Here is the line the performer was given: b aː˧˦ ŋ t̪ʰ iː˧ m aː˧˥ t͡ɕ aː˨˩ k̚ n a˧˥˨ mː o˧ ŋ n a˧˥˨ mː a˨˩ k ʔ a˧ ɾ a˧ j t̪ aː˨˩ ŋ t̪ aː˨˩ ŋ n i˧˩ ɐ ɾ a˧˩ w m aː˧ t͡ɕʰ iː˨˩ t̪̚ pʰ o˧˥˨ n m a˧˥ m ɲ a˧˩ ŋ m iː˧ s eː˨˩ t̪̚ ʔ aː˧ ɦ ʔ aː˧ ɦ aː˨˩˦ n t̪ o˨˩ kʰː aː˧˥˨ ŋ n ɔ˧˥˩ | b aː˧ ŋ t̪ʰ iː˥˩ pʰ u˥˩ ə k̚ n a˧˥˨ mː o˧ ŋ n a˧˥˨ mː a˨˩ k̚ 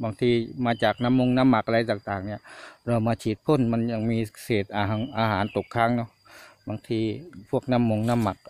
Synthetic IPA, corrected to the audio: b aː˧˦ ŋ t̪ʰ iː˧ m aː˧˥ t͡ɕ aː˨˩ k̚ n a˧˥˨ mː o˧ ŋ n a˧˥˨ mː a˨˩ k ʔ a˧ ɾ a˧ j t̪ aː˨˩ ŋ t̪ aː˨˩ ŋ n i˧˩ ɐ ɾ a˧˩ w m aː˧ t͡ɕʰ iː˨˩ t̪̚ pʰ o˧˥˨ n m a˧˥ n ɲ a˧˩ ŋ m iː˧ s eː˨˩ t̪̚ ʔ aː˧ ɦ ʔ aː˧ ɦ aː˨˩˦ n t̪ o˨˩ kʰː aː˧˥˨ ŋ n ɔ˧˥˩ | b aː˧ ŋ t̪ʰ iː˧ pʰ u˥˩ ə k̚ n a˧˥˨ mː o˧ ŋ n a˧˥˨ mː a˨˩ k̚